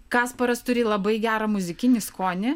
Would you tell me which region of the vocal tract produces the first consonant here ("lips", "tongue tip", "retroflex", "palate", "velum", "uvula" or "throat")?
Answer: velum